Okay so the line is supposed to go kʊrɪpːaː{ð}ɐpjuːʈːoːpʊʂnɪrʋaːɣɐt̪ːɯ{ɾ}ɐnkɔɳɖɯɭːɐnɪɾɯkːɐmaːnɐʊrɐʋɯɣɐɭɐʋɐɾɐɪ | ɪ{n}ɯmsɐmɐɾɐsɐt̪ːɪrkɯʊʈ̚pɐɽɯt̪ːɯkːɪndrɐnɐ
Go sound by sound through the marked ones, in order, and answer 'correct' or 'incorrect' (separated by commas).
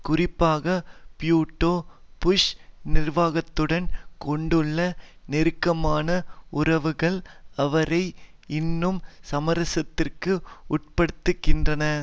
incorrect, incorrect, incorrect